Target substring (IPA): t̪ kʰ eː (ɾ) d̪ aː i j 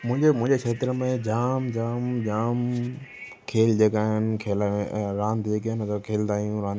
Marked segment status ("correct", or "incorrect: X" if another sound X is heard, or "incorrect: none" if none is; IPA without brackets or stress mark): incorrect: l